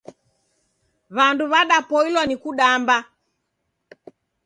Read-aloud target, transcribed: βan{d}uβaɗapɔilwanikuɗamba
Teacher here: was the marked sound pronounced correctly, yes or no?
yes